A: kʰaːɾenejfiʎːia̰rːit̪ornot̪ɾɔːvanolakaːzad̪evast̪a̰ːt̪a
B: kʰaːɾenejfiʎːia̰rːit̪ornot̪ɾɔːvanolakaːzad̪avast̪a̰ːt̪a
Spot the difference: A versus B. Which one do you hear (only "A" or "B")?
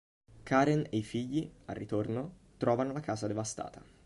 A